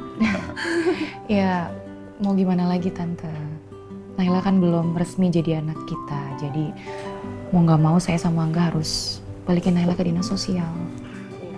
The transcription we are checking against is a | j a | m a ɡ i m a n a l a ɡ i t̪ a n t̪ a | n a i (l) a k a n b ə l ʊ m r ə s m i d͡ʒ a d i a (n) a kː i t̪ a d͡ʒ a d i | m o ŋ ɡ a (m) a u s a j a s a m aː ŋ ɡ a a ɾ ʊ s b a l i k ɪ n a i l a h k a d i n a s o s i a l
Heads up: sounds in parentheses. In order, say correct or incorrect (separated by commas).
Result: correct, correct, correct